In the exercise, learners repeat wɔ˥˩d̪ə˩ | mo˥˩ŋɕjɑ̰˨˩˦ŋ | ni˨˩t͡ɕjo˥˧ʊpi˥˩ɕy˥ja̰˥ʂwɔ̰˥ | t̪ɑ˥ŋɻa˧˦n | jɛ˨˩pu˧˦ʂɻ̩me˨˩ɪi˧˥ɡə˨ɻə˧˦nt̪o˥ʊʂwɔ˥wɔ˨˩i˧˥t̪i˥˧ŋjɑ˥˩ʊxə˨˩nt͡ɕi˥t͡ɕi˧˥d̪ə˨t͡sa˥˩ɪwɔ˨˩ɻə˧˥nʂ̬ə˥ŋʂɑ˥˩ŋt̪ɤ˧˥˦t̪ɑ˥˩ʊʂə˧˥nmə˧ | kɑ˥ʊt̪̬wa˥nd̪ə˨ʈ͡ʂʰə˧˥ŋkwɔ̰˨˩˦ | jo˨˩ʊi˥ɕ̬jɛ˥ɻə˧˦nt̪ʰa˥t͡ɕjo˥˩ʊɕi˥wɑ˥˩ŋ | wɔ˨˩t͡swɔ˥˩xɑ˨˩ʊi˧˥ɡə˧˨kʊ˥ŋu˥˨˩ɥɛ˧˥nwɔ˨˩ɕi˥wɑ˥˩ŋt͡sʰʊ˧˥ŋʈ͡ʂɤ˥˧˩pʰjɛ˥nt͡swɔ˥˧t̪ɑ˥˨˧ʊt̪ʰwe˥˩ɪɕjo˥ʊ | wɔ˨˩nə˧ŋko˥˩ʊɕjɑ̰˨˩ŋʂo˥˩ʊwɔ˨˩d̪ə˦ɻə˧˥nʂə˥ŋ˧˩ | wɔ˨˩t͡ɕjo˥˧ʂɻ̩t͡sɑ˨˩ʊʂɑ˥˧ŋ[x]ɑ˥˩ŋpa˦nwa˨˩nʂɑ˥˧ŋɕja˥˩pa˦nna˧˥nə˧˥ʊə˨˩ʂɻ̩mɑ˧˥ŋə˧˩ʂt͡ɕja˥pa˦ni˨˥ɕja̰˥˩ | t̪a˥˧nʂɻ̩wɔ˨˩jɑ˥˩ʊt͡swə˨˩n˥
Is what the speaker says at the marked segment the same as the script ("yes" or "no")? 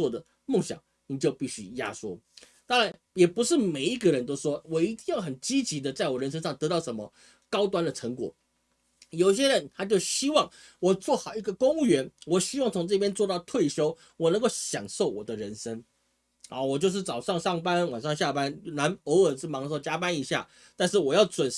no